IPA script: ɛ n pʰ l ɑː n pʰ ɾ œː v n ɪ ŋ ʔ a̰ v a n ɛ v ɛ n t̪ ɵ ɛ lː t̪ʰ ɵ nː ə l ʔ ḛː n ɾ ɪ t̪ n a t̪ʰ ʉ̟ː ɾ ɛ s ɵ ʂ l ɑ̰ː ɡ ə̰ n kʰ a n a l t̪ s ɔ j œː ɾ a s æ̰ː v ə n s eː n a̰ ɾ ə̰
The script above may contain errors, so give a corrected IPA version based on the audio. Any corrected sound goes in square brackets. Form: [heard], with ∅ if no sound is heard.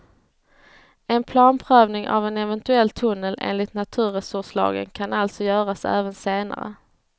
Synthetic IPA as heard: ɛ n pʰ l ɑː n pʰ ɾ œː v n ɪ ŋ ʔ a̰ v [ɛ] n ɛ v ɛ n t̪ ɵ ɛ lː t̪ʰ ɵ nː ə l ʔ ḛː n [l] ɪ t̪ n a t̪ʰ ʉ̟ː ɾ ɛ s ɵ ʂ l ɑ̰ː ɡ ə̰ n kʰ a n a l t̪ s ɔ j œː ɾ a s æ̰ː v ə n s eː n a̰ ɾ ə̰